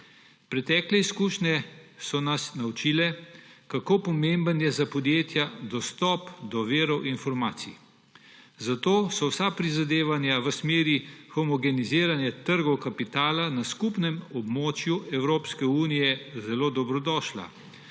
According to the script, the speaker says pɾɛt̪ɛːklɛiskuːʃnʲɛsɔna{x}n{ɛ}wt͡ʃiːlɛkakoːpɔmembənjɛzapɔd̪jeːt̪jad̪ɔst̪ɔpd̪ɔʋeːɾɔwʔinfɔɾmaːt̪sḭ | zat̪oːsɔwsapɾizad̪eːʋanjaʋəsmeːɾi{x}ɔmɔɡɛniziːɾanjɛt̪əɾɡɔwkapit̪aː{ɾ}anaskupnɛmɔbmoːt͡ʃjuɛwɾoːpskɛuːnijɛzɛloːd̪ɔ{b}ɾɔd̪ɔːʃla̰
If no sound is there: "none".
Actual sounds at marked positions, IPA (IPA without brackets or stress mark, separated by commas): s, a, x, l, b